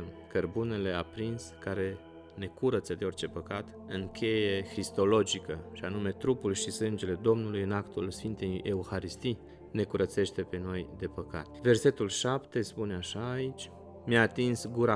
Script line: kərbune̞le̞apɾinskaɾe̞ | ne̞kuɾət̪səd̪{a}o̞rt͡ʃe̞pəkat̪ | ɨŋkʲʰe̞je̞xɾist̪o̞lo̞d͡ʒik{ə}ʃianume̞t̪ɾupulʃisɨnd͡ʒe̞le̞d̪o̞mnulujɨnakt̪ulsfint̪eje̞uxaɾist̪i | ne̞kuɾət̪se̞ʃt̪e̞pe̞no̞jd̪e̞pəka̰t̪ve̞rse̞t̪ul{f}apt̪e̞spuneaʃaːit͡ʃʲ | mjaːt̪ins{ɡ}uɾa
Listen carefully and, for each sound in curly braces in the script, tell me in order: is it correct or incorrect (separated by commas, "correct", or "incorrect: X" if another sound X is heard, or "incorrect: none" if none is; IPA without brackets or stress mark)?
incorrect: e, correct, incorrect: ʃ, correct